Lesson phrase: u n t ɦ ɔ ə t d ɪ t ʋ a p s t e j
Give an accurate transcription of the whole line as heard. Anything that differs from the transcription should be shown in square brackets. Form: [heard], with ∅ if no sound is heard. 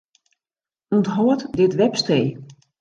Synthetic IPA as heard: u n t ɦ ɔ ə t d ɪ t ʋ [ɛ] p s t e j